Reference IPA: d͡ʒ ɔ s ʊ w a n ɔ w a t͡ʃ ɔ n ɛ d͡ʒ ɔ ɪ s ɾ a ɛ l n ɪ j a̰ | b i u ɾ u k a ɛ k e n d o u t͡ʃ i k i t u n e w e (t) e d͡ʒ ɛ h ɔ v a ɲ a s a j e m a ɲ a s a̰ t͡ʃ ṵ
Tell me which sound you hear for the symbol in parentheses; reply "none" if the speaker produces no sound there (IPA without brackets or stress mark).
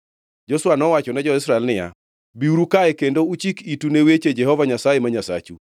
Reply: t͡ʃ